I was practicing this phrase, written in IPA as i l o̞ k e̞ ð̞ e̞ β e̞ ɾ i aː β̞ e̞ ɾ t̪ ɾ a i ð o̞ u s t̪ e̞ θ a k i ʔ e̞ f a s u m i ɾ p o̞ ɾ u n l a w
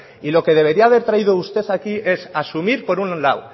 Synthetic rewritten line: i l o̞ k e̞ ð̞ e̞ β e̞ ɾ i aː β̞ e̞ ɾ t̪ ɾ a i ð o̞ u s t̪ e̞ θ a k i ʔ e̞ s a s u m i ɾ p o̞ ɾ u n l a w